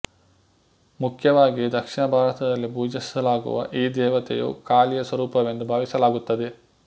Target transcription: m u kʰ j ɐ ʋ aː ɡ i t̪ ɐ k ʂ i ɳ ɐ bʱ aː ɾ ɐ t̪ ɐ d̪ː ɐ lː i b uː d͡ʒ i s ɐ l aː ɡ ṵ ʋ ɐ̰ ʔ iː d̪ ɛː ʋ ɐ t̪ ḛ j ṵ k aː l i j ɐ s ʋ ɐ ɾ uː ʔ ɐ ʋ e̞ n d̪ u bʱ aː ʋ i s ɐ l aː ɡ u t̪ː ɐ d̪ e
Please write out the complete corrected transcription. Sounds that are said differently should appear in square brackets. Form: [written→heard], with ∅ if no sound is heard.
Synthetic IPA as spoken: m u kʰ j ɐ ʋ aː ɡ i [t̪→d̪] ɐ k ʂ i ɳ ɐ bʱ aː ɾ ɐ t̪ ɐ [d̪ː→d̪] ɐ lː i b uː d͡ʒ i s ɐ l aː ɡ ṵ ʋ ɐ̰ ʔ iː d̪ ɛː ʋ ɐ t̪ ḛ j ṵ k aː l i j ɐ s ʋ ɐ ɾ uː [ʔ→p] ɐ ʋ e̞ n d̪ u bʱ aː ʋ i s ɐ l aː ɡ u t̪ː ɐ d̪ e